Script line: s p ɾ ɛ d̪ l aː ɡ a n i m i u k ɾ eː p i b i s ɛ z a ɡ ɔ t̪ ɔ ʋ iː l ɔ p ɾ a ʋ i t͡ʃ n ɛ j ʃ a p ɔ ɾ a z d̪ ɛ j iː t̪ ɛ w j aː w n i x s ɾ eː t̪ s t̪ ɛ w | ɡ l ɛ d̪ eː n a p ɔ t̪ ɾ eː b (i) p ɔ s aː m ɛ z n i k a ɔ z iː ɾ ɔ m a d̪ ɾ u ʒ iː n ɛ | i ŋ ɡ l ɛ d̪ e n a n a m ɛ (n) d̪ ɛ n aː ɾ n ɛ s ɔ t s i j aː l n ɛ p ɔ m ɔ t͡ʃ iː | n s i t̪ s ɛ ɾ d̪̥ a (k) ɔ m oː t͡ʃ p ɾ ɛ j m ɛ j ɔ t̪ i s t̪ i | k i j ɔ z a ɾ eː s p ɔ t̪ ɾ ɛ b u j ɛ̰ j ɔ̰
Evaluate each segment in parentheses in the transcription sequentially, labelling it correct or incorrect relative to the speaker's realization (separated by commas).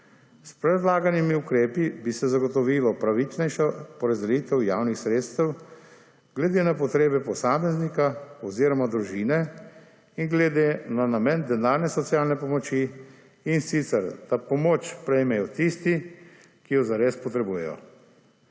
incorrect, correct, incorrect